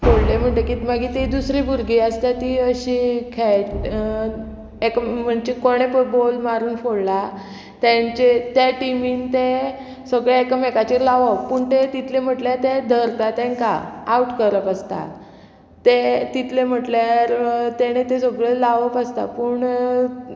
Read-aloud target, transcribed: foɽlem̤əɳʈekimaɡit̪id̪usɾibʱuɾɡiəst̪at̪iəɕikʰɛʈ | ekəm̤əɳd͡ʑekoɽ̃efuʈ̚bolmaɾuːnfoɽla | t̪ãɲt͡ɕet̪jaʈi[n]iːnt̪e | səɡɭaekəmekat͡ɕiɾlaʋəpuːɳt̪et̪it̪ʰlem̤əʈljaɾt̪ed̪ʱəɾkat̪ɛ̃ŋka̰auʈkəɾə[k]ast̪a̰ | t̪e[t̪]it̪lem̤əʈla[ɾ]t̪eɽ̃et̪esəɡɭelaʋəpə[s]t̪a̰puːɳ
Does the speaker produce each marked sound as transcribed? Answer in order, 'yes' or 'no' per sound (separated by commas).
no, no, yes, yes, yes